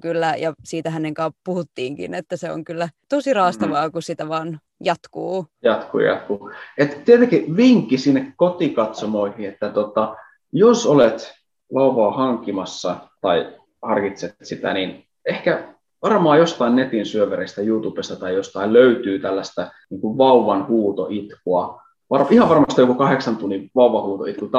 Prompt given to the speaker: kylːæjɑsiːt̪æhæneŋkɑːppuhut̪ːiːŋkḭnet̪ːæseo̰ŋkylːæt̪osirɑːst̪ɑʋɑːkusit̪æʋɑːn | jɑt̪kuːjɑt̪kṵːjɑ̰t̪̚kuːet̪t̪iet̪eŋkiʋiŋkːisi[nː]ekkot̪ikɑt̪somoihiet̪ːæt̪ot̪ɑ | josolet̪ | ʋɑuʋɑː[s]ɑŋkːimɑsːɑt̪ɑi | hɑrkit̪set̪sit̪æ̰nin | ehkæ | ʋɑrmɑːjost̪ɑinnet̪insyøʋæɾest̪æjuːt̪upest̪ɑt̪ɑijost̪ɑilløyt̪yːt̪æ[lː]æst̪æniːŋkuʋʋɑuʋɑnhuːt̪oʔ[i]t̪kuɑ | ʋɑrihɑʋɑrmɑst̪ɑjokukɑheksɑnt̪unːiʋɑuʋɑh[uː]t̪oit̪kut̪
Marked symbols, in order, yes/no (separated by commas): yes, no, yes, yes, yes